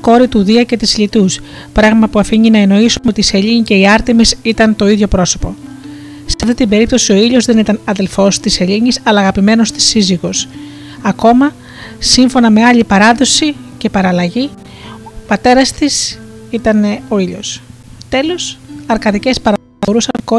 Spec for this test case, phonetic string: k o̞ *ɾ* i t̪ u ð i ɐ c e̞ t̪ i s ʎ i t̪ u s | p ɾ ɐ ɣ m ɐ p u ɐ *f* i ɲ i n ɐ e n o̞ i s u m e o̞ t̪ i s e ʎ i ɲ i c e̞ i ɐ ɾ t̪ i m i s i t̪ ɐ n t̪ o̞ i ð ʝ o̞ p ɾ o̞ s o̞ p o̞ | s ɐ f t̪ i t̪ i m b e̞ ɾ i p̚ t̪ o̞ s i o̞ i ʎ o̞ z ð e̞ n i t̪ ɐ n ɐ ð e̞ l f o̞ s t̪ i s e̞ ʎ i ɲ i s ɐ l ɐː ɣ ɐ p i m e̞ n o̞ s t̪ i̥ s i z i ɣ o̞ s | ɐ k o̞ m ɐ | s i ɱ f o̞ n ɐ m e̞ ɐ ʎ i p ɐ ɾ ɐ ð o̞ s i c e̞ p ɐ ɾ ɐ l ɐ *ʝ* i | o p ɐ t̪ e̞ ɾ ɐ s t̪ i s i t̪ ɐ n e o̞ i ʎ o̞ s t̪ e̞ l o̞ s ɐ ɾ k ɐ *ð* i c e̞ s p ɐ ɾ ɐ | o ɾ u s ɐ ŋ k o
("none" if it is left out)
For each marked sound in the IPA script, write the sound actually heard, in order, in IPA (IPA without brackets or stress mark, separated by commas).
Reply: ɾ, f, ʝ, ð